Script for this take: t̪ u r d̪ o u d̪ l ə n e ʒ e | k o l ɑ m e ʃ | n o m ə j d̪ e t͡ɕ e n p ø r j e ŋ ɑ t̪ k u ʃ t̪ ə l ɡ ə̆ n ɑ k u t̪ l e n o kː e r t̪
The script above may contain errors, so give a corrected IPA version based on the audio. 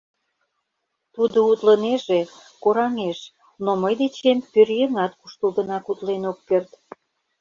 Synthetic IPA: t̪ u d̪ o u t̪ l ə n e ʒ e | k o ɾ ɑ ŋ e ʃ | n o m ə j d̪ e t͡ɕ e m p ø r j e ŋ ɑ t̪ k u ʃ t̪ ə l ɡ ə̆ n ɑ k u t̪ l e n o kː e r t̪